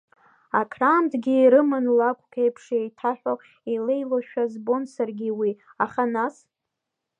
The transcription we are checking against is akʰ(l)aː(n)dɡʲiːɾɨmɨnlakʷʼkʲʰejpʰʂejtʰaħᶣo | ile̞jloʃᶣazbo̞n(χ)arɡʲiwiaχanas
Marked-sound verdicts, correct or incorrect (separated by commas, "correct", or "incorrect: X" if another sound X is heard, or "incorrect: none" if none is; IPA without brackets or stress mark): incorrect: r, incorrect: m, incorrect: s